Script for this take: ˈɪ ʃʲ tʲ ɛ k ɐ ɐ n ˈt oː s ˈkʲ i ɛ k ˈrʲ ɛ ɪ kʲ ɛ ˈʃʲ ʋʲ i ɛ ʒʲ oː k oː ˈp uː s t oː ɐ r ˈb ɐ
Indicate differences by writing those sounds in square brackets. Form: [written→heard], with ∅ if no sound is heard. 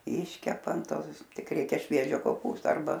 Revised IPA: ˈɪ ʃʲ [tʲ→kʲ] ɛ [k→p] ɐ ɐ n ˈt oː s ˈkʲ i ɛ k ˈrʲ ɛ ɪ kʲ ɛ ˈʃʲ ʋʲ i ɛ ʒʲ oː k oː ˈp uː s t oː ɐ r ˈb ɐ